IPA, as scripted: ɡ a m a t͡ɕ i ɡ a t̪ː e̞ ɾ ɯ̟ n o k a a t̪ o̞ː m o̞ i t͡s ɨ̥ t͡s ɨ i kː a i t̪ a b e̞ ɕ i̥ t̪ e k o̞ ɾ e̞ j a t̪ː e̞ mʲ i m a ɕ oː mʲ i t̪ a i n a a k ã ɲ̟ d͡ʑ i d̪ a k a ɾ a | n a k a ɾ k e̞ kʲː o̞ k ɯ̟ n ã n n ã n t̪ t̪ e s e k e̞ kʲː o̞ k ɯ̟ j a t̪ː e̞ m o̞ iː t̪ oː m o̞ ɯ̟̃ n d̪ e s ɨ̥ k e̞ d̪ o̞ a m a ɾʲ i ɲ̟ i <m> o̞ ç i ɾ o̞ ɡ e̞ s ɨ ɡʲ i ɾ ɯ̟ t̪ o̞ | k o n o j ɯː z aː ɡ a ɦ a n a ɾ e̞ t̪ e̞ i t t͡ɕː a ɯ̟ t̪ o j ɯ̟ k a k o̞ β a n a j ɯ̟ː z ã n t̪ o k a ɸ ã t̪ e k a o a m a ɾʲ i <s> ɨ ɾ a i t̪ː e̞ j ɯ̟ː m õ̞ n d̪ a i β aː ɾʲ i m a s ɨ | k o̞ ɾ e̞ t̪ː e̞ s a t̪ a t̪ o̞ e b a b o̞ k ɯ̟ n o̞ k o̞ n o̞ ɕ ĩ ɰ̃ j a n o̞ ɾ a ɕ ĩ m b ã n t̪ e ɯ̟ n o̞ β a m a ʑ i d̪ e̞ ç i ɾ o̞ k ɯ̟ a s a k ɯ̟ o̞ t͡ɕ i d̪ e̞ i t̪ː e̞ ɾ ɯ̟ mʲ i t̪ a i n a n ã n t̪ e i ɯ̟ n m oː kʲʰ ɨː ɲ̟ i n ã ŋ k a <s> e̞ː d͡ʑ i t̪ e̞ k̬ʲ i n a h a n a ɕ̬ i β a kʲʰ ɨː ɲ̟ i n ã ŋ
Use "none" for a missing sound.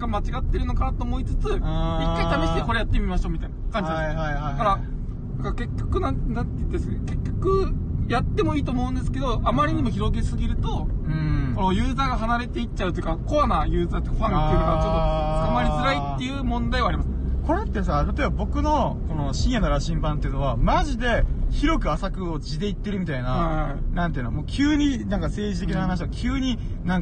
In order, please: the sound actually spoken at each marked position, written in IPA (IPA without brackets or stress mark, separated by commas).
m, z, s